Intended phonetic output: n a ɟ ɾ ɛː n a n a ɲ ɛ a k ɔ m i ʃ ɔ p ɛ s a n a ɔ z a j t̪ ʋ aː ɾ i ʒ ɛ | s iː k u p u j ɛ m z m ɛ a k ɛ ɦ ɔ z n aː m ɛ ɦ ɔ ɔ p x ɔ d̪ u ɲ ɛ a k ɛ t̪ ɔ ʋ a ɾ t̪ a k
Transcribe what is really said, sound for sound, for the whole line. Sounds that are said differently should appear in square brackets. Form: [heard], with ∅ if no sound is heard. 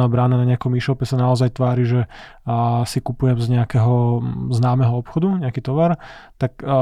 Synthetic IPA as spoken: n a [b] ɾ [aː] n a n a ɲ ɛ a k ɔ m i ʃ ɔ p ɛ s a n a ɔ z a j t̪ ʋ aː ɾ i ʒ ɛ | s [i] k u p u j ɛ m z [ɲ] ɛ a k ɛ ɦ ɔ z n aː m ɛ ɦ ɔ ɔ p x ɔ d̪ u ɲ ɛ a k [i] t̪ ɔ ʋ a ɾ t̪ a k